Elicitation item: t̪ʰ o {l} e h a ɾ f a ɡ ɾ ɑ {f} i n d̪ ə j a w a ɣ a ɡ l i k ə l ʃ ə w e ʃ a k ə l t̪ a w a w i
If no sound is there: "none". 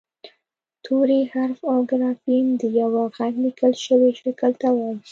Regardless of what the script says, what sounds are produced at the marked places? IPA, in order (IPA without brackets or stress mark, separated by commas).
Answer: ɾ, f